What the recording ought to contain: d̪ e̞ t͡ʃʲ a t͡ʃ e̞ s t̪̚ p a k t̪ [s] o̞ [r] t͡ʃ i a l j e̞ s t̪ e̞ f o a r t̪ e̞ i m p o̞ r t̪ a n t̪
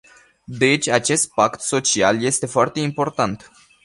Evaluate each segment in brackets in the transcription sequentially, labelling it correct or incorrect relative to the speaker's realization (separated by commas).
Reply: correct, incorrect